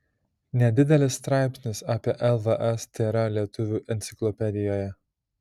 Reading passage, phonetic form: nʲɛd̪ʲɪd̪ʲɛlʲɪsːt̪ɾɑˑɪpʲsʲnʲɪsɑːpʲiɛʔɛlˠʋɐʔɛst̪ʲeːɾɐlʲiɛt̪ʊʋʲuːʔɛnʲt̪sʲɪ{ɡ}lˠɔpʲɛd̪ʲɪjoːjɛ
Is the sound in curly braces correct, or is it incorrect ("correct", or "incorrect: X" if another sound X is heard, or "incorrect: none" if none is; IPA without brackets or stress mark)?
incorrect: k